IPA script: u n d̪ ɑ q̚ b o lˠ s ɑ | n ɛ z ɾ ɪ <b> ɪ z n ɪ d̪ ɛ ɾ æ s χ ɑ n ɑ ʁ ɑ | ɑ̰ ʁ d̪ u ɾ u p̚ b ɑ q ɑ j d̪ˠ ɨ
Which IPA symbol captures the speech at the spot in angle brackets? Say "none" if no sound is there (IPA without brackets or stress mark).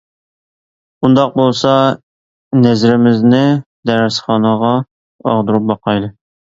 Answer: m